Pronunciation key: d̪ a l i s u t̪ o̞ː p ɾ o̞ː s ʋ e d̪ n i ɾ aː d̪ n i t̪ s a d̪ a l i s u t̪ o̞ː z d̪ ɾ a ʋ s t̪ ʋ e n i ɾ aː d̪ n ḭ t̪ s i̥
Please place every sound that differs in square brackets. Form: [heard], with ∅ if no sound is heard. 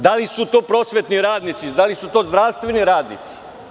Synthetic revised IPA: d̪ a l i s u t̪ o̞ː p ɾ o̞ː s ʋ e [t̪] n i ɾ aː d̪ n i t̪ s [i] d̪ a l i s u t̪ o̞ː z d̪ ɾ a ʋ s t̪ ʋ e n i ɾ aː d̪ n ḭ t̪ s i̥